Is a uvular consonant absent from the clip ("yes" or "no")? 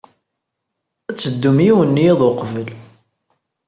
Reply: no